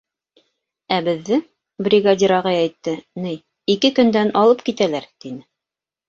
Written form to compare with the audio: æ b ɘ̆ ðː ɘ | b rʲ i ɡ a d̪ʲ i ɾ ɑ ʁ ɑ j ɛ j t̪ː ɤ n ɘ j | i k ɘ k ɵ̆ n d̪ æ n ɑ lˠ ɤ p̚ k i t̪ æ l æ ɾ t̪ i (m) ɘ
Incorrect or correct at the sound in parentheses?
incorrect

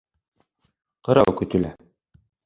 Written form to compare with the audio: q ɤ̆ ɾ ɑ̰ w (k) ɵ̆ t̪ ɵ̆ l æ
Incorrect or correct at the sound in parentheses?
correct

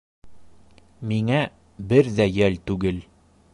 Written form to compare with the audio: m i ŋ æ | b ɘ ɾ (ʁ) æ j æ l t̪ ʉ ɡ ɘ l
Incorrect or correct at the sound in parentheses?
incorrect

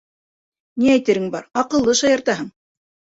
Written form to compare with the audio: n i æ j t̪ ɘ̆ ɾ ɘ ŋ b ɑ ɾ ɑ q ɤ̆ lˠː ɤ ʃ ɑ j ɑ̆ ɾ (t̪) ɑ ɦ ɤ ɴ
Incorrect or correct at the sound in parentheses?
correct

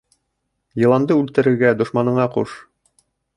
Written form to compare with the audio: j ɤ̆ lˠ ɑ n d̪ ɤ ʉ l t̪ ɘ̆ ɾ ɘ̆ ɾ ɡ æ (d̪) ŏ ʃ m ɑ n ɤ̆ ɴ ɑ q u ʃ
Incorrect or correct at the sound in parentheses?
correct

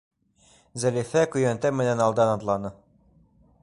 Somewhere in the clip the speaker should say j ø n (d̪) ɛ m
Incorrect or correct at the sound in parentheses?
incorrect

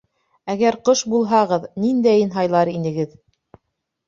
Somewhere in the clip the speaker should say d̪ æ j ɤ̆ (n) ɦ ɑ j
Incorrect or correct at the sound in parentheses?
correct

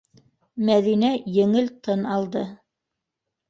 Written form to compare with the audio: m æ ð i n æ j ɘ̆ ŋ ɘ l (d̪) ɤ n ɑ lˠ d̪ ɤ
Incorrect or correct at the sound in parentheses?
incorrect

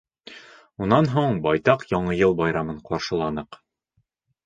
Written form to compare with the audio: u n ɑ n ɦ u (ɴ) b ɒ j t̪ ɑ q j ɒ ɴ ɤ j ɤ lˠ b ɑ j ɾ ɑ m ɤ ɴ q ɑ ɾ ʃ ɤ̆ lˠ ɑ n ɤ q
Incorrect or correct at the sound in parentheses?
correct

